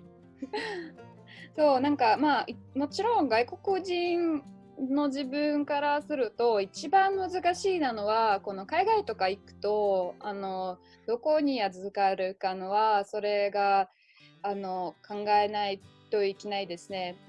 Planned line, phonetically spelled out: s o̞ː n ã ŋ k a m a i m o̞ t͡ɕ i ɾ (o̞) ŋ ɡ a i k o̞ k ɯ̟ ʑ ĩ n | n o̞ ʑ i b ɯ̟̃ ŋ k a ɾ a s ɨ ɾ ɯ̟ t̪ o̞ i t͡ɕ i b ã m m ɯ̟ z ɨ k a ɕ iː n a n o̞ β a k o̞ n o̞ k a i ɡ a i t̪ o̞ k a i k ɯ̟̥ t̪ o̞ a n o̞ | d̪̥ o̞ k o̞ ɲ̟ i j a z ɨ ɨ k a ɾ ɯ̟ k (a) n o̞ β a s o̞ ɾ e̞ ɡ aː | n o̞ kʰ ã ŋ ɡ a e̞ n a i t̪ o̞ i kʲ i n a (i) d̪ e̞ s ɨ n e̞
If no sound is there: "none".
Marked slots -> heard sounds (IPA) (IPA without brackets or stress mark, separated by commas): õ̞, a, i